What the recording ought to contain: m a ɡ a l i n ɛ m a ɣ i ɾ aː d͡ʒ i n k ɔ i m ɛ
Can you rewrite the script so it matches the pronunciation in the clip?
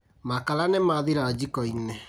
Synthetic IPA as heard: m a k a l a n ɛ m a ð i ɾ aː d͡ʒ i k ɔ i n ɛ

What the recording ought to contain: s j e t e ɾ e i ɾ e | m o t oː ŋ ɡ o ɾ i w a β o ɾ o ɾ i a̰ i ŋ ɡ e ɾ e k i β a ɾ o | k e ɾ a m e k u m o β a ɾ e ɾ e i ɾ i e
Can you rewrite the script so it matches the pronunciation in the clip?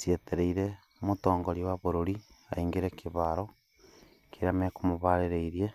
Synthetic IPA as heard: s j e t e ɾ e i ɾ e | m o t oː ŋ ɡ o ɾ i w a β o ɾ o ɾ i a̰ i ŋ ɡ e ɾ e k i β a ɾ o | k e ɾ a m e k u m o β a ɾ e ɾ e i ɾ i e

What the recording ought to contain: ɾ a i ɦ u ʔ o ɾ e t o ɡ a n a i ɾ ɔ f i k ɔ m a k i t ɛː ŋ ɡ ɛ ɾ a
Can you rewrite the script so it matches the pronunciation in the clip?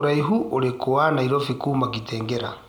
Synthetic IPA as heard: ɾ a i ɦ u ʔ o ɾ e k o a n a i ɾ ɔ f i k u m a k i t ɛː ŋ ɡ ɛ ɾ a

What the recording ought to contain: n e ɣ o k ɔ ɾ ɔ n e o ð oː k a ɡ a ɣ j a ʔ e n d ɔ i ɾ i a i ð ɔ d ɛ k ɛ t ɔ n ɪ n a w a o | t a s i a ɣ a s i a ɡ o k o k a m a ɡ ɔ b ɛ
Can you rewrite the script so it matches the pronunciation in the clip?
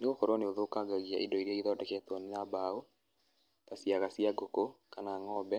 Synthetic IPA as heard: n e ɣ o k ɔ ɾ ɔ n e o ð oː k a ɡ a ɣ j a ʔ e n d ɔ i ɾ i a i ð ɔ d ɛ k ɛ t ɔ n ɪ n a b a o | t a s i a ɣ a s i a ɡ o k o k a n a ŋ ɔ b ɛ

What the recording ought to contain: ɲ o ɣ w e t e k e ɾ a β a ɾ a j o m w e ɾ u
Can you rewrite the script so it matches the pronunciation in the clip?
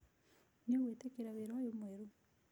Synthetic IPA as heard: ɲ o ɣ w e t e k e ɾ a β e ɾ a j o m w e ɾ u

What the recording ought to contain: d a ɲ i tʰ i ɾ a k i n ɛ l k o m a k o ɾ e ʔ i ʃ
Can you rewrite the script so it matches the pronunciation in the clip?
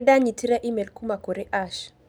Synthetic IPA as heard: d a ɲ i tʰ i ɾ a ʔ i m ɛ l k u m a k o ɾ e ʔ a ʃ

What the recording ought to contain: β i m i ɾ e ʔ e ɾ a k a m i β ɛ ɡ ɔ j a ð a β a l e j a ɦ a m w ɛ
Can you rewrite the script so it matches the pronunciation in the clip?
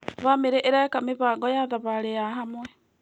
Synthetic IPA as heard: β a m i ɾ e ʔ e ɾ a k a m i β a ɡ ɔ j a ð a β a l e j a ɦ a m w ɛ

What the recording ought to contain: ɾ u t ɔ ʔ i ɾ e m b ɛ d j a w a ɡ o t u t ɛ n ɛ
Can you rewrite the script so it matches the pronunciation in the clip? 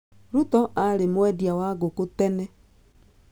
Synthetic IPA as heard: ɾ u t ɔ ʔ a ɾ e m w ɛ d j a w a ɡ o k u t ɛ n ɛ

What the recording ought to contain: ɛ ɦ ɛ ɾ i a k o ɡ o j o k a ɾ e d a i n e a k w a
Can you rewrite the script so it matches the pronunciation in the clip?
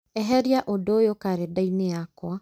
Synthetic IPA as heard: ɛ ɦ ɛ ɾ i a ʔ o d o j o k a ɾ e d a i n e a k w a

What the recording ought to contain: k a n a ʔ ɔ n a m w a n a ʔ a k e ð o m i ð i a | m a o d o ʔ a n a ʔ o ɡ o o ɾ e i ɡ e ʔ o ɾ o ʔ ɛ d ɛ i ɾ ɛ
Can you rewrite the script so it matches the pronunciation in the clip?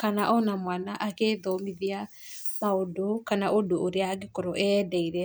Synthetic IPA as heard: k a n a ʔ ɔ n a m w a n a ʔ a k e ð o m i ð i a | m a o d o k a n a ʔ o d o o ɾ e a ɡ e k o ɾ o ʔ ɛ d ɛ i ɾ ɛ

